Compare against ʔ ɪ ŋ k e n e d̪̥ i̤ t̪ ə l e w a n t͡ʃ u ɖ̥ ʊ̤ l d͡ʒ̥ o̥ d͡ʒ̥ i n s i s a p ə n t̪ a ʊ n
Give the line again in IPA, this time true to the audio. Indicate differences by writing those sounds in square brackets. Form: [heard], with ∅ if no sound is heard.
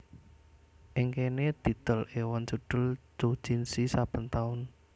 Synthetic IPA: ʔ ɪ ŋ k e n e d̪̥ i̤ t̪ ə l e w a n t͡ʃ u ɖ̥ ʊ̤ l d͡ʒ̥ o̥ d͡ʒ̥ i n s i s a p ə n t̪ a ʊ n